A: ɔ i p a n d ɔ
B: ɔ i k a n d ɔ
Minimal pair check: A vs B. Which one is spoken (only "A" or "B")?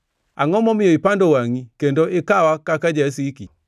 A